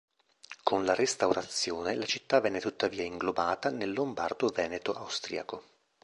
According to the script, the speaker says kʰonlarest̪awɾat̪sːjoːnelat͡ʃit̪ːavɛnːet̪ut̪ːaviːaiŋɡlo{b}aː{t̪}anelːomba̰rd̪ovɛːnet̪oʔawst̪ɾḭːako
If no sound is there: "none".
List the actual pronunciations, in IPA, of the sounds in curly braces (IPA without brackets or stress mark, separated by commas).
b, t̪